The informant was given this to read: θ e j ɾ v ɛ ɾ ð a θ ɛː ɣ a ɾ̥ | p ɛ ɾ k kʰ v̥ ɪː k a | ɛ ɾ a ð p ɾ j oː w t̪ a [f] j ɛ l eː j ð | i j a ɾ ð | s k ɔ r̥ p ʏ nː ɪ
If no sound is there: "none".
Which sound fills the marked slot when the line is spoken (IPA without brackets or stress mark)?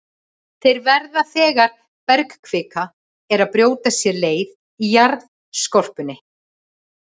s